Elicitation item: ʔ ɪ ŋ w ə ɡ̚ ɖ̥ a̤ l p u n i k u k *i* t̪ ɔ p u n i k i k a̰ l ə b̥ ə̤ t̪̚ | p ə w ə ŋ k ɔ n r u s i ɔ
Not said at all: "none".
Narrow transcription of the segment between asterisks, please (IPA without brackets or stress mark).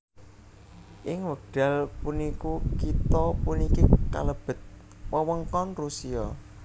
i